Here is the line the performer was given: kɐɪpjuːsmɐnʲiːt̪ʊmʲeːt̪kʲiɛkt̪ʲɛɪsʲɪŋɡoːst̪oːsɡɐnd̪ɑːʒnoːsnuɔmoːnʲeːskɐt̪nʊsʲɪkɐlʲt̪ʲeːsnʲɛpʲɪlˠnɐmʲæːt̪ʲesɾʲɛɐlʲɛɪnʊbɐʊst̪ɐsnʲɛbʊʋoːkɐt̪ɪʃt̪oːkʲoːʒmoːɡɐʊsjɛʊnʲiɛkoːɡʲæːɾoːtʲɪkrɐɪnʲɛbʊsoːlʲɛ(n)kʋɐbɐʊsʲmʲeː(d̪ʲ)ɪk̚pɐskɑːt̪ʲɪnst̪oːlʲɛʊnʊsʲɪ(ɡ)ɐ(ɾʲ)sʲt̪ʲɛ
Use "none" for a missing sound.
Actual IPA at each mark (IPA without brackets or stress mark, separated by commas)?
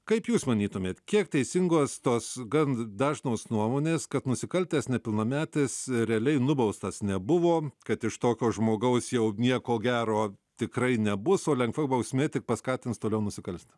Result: ŋ, t̪ʲ, k, lʲ